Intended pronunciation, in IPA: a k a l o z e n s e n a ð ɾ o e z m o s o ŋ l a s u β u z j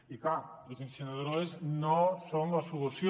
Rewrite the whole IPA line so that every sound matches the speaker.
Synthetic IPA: i k a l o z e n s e n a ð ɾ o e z n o s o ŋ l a s u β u s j